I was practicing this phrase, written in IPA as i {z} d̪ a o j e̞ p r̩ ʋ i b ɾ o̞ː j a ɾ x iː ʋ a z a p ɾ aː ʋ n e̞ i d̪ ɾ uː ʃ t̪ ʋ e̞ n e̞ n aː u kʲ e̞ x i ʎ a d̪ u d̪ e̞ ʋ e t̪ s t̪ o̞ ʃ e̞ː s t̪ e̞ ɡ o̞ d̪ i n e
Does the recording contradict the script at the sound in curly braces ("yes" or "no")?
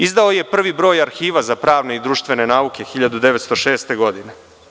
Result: no